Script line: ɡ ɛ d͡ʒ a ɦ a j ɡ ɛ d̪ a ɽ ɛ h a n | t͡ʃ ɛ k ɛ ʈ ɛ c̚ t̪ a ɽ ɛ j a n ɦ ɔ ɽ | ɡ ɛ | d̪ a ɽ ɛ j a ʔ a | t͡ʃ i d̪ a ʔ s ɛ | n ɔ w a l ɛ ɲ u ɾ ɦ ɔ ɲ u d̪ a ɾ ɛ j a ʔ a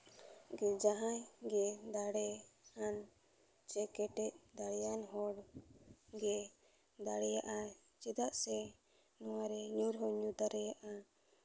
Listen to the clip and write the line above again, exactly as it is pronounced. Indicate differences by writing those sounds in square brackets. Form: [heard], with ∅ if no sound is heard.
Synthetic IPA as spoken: ɡ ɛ d͡ʒ a ɦ a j ɡ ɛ d̪ a ɽ ɛ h a n | t͡ʃ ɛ k ɛ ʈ ɛ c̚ [d̪] a ɽ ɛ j a n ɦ ɔ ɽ | ɡ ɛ | d̪ a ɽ ɛ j a ʔ a | t͡ʃ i d̪ a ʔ s ɛ | n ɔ w a [ɾ] ɛ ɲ u ɾ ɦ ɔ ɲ u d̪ a ɾ ɛ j a ʔ a